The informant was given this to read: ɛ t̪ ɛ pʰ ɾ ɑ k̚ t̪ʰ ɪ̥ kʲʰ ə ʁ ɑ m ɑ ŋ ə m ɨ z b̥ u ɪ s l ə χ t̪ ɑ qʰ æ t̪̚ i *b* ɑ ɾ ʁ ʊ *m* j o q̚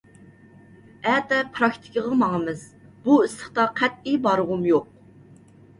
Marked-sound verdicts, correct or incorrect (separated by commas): correct, correct